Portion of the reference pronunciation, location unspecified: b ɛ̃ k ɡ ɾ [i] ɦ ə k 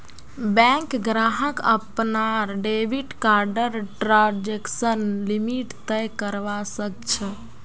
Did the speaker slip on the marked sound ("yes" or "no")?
yes